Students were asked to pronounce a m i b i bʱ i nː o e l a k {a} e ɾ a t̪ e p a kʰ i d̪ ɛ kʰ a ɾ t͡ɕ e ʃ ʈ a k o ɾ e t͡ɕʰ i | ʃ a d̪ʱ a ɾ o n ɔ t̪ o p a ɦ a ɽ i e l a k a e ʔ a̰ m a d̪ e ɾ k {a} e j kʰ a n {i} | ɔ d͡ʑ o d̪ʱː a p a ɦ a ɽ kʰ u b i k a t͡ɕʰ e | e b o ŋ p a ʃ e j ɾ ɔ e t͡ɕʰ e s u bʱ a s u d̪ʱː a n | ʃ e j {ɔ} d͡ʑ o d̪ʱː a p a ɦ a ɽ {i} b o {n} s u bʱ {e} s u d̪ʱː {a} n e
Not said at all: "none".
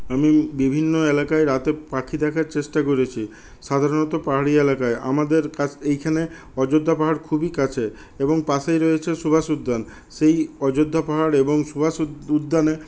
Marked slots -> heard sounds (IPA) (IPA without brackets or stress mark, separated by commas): a, a, e, ɔ, e, ŋ, a, a